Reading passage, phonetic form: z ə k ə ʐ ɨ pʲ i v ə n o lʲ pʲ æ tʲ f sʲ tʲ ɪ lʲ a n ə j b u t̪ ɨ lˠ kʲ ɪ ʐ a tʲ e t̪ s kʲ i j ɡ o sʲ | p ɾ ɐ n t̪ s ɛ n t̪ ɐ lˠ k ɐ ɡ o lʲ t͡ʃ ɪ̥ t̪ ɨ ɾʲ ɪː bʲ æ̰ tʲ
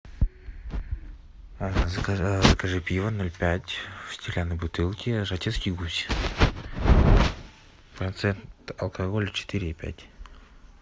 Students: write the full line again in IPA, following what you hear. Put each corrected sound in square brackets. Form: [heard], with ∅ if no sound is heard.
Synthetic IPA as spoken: z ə k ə ʐ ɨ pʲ i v ə n o lʲ pʲ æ tʲ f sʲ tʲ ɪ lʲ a n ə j b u t̪ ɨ lˠ kʲ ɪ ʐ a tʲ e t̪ s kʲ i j ɡ [u] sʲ | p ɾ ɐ n t̪ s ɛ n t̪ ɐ lˠ k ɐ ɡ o lʲ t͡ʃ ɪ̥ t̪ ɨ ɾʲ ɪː [pʲ] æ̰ tʲ

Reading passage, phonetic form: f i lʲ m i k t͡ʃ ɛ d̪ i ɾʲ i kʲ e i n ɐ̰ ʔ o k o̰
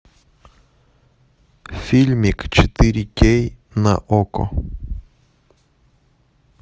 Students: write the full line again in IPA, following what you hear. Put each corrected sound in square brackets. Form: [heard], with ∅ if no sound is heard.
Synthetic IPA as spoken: f i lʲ m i k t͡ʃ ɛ [t̪] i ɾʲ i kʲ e [j] n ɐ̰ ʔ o k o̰

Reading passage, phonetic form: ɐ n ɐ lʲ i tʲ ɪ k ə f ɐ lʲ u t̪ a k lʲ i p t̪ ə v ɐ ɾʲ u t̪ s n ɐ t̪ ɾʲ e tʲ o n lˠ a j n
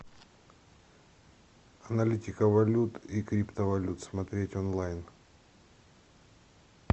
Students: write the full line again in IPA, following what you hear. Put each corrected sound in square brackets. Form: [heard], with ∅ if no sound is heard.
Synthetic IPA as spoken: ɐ n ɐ lʲ i tʲ ɪ k ə [v] ɐ lʲ u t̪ [i] k [ɾʲ] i p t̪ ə v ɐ [lʲ] u t̪ s [m] ɐ t̪ ɾʲ e tʲ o n lˠ a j n

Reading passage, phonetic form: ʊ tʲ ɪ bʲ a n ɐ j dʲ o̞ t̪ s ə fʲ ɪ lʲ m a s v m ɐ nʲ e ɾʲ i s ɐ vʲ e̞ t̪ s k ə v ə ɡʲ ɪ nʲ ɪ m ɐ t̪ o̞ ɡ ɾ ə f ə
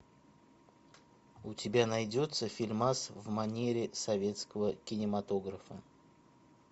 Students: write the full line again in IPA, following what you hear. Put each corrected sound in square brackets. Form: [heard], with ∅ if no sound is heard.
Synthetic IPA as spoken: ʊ tʲ ɪ bʲ a n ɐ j dʲ o̞ t̪ s ə fʲ ɪ lʲ m a s v m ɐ nʲ e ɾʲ [ɪ] s ɐ vʲ e̞ t̪ s k ə v ə [kʲ] ɪ nʲ ɪ m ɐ t̪ o̞ ɡ ɾ ə f ə

